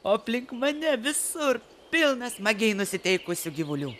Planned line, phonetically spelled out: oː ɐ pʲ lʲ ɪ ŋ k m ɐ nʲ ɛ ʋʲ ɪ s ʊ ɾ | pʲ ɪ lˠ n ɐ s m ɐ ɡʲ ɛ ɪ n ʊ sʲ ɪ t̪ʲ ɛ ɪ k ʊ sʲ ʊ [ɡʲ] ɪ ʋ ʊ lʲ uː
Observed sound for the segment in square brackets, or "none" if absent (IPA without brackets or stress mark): ɡʲ